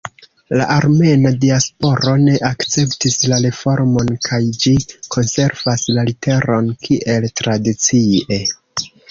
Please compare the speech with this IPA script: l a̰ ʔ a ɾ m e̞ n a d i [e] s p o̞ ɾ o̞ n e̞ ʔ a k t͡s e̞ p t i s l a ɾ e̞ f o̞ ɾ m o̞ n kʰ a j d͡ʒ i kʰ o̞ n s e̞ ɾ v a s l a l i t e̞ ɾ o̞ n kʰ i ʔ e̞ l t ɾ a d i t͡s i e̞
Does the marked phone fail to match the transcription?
yes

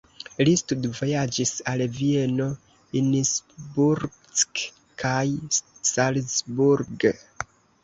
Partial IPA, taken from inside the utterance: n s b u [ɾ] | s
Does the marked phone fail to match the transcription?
no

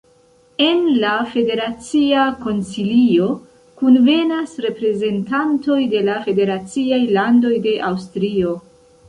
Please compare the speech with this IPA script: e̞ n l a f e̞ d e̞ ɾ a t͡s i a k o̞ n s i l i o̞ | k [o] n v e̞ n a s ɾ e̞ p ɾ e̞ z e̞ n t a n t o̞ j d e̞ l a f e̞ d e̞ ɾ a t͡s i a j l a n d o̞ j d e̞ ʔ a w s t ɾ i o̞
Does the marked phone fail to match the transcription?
yes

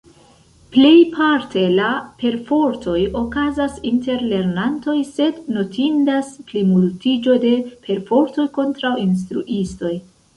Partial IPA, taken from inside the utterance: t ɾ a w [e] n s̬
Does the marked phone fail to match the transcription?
yes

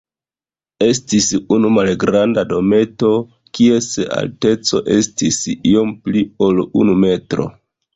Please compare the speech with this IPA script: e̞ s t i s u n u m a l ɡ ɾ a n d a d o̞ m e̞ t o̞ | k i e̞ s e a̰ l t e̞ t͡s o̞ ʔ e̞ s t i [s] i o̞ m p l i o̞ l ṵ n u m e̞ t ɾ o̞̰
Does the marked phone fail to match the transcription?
no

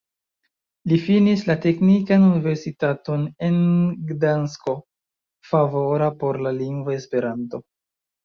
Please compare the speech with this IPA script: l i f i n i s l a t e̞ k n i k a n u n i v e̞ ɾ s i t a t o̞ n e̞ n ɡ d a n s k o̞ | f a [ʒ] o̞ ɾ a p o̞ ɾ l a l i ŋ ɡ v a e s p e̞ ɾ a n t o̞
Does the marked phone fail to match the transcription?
yes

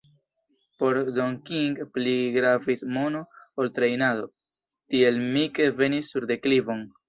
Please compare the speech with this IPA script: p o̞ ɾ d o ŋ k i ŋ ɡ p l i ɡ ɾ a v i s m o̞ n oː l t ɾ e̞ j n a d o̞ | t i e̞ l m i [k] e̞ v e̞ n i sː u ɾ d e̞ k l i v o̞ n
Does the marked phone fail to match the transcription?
no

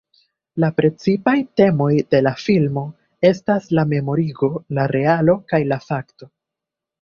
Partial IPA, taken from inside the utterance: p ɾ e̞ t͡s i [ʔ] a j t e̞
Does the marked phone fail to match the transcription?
yes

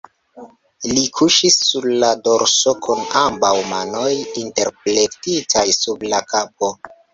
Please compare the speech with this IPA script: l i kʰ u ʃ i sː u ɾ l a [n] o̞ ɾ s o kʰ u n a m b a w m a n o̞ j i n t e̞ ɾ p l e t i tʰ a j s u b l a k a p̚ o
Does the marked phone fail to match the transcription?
yes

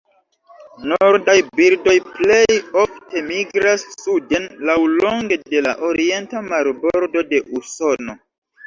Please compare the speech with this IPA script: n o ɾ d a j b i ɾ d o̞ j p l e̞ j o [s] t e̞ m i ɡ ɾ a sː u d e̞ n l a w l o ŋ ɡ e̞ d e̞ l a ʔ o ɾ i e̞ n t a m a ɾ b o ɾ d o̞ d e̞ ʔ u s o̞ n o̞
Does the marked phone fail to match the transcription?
yes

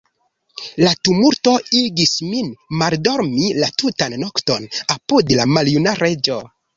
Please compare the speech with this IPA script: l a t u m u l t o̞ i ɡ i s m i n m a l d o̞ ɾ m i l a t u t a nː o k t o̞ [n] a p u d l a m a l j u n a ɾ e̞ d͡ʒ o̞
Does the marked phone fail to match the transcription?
no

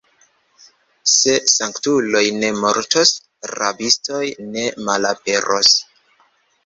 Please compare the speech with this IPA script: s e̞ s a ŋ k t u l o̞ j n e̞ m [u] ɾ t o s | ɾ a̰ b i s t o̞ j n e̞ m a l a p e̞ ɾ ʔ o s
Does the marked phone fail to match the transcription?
yes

